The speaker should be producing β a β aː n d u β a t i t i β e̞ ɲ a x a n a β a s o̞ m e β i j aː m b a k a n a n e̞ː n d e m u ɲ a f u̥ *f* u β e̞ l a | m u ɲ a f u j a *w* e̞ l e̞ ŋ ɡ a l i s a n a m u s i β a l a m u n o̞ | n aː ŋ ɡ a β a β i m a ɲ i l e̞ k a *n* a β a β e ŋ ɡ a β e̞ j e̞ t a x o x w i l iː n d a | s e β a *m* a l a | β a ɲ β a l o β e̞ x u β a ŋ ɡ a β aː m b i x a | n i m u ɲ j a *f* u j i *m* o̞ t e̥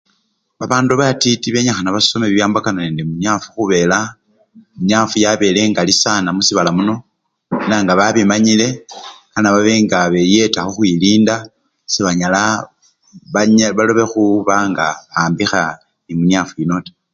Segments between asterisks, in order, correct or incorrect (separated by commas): incorrect, incorrect, correct, incorrect, correct, incorrect